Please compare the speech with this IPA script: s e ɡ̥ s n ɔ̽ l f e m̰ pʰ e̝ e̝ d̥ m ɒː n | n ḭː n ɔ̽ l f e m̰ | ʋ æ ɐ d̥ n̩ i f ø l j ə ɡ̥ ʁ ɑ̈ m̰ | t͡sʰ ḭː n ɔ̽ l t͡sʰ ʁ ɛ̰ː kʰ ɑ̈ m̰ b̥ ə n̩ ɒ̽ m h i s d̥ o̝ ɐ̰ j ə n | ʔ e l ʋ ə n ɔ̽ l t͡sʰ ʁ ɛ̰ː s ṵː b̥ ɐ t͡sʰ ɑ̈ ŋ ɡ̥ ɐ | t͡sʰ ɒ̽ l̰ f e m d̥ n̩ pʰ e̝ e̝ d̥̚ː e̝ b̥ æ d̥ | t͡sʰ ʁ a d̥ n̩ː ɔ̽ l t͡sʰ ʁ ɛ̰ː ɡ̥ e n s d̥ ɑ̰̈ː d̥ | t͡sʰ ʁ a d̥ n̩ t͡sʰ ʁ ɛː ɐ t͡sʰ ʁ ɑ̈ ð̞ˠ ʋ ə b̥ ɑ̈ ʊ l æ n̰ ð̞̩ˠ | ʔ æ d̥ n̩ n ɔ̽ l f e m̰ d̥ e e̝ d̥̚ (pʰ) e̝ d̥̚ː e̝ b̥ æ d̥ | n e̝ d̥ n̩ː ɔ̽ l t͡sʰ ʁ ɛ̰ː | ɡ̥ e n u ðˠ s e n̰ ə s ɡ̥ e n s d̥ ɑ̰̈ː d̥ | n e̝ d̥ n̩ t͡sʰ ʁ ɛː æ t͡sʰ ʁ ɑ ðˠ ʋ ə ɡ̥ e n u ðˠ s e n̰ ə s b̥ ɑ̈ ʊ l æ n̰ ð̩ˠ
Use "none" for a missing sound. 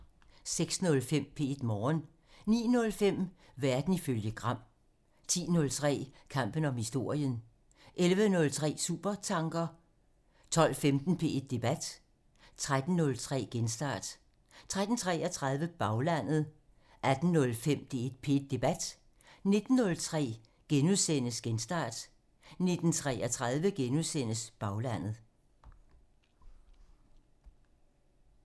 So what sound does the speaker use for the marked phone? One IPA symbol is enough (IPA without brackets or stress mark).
pʰ